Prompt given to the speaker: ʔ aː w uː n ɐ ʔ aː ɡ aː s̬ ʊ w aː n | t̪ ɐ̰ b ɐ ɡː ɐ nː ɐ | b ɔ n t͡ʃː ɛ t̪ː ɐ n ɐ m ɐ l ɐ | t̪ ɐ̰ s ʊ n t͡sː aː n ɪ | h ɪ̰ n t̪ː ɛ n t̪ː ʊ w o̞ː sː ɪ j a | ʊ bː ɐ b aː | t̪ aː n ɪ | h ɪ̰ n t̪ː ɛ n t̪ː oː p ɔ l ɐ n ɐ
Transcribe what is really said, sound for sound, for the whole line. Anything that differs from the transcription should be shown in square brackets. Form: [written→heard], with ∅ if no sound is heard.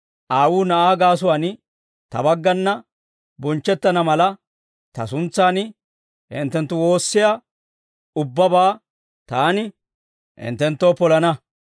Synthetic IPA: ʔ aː w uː n ɐ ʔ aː ɡ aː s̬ ʊ w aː n | t̪ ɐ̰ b ɐ ɡː ɐ nː ɐ | b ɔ n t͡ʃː ɛ t̪ː ɐ n ɐ m ɐ l ɐ | t̪ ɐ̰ s ʊ n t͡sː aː n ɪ | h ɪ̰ n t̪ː ɛ n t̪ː ʊ w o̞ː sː ɪ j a | ʊ bː ɐ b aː | t̪ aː n ɪ | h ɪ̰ n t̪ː ɛ n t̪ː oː p ɔ l ɐ n ɐ